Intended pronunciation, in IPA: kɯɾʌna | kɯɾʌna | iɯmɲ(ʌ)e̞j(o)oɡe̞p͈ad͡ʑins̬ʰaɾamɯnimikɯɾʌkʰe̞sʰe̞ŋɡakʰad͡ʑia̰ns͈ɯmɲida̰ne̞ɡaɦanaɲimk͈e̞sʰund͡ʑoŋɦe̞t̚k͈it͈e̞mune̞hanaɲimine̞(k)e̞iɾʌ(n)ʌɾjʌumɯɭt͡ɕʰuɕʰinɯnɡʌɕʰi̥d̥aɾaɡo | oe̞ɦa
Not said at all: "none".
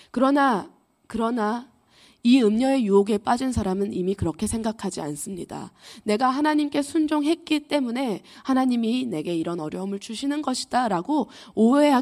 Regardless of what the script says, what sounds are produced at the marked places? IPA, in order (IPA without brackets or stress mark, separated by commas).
ʌ, u, ɡ, n